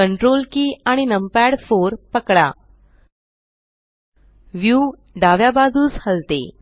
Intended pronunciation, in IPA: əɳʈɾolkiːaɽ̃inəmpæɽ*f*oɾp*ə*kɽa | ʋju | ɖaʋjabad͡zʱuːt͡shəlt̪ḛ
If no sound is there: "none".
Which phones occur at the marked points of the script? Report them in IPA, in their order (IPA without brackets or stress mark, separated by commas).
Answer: f, ə